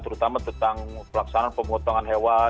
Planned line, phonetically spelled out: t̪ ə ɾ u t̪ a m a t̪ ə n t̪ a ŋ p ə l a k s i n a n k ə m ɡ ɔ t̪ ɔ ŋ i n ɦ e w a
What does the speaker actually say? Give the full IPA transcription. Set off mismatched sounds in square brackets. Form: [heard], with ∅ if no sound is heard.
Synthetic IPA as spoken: t̪ ə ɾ u t̪ a m a t̪ ə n t̪ a ŋ p ə l a k s [a] n a n [p] ə m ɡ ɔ t̪ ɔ ŋ [a] n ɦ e w a